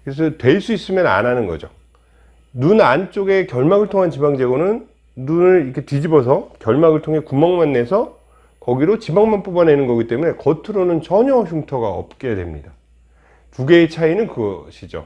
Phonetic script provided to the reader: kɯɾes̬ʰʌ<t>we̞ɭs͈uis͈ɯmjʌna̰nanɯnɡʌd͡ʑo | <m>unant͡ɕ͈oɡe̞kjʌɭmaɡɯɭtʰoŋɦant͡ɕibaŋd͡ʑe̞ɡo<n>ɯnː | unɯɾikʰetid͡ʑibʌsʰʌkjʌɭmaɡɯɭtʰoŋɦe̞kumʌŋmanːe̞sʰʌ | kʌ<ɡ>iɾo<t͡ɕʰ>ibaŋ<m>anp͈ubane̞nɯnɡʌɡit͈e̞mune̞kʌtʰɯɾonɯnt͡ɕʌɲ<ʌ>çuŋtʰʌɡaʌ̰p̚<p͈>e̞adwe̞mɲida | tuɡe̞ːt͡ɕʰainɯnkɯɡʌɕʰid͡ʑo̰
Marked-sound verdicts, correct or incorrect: correct, incorrect, correct, correct, incorrect, correct, correct, incorrect

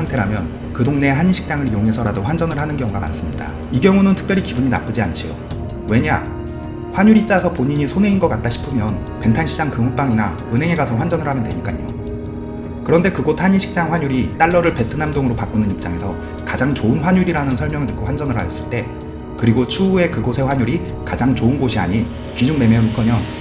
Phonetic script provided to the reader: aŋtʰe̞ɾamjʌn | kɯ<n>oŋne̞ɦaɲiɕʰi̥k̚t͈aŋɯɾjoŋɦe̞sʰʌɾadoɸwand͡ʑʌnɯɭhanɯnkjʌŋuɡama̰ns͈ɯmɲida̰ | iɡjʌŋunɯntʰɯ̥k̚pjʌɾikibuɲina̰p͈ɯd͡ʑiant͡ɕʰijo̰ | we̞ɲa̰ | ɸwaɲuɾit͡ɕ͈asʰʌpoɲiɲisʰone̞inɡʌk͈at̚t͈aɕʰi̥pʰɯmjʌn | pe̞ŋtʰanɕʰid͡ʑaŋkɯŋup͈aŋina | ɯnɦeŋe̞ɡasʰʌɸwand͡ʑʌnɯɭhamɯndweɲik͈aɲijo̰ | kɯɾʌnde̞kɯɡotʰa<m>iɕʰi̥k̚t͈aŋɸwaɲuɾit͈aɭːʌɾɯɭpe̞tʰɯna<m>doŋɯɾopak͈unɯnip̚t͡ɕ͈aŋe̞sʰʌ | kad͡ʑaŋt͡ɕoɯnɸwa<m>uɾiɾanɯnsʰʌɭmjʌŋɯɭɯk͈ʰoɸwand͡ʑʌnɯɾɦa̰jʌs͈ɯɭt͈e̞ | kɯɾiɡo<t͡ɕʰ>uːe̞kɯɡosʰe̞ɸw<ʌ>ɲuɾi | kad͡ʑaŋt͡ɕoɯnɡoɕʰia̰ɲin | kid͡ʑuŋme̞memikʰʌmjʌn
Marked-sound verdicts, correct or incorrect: incorrect, incorrect, correct, incorrect, correct, incorrect

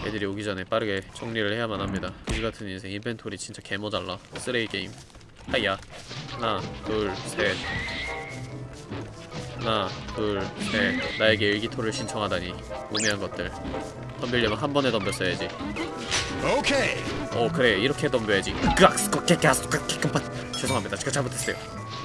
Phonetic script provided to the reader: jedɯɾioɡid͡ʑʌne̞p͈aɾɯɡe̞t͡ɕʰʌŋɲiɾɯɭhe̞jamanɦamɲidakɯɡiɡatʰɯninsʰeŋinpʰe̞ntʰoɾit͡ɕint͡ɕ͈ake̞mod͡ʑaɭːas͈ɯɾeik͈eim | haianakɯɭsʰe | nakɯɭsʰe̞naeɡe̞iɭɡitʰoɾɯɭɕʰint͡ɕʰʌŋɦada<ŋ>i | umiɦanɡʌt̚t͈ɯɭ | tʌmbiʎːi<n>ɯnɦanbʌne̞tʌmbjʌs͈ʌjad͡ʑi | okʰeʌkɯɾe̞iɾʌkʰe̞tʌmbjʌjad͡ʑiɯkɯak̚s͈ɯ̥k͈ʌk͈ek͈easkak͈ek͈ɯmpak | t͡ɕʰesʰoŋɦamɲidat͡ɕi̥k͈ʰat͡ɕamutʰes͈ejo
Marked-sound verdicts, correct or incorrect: incorrect, incorrect

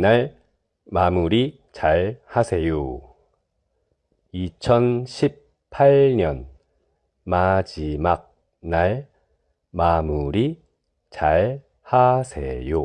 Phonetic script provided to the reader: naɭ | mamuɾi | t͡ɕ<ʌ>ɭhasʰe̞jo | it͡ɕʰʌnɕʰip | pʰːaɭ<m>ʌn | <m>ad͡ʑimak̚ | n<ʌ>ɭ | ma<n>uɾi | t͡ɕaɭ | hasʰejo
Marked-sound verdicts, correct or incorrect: incorrect, incorrect, correct, incorrect, incorrect

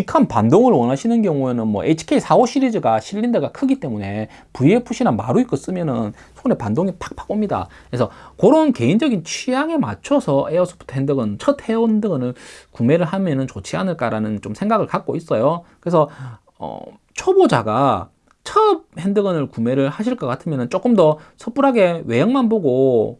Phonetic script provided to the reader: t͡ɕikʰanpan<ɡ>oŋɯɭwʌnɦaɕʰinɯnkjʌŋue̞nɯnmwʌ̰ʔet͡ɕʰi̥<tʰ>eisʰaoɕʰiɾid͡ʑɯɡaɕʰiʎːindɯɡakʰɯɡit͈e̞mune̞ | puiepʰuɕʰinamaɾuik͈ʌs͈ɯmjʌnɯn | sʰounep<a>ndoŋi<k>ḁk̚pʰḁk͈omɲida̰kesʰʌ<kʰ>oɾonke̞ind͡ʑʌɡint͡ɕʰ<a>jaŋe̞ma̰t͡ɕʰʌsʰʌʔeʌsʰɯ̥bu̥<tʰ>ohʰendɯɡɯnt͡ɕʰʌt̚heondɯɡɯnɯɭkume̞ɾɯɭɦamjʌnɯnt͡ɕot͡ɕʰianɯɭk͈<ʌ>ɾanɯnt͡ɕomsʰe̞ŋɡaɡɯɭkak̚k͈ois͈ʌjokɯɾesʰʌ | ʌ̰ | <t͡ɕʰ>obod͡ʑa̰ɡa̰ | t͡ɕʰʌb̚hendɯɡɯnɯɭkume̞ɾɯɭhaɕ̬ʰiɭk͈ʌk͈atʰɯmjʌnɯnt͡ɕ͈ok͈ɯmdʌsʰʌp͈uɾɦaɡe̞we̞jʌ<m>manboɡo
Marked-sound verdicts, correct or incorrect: incorrect, incorrect, correct, incorrect, incorrect, incorrect, correct, incorrect, correct, incorrect

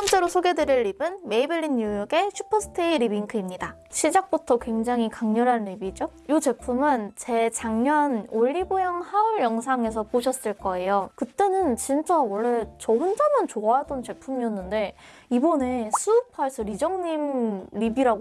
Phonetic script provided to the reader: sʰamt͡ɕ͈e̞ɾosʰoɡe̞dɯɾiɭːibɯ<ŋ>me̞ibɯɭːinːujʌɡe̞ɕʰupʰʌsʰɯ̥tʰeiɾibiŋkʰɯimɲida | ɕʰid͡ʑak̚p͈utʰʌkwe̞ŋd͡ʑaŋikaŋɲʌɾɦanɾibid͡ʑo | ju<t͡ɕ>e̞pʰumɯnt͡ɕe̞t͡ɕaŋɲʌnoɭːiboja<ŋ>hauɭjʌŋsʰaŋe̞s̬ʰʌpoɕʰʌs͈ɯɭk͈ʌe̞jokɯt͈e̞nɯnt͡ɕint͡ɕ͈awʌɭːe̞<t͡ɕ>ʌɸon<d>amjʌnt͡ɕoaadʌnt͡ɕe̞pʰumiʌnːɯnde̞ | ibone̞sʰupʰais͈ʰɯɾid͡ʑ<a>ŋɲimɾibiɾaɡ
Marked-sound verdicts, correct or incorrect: incorrect, correct, correct, correct, incorrect, incorrect

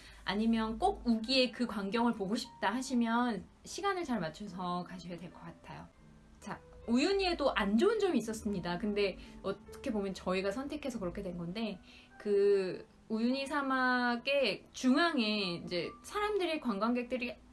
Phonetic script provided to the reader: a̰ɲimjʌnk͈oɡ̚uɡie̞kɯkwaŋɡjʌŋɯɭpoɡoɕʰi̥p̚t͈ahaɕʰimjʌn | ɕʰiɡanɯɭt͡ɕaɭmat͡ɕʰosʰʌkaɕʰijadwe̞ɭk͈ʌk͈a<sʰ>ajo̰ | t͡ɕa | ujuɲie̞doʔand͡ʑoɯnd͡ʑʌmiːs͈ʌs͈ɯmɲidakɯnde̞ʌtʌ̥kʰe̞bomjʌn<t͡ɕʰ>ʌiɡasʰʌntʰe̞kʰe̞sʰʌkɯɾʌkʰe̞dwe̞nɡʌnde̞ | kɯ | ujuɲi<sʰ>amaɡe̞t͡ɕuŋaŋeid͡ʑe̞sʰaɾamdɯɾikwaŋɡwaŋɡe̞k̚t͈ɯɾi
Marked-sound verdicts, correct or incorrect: incorrect, incorrect, correct

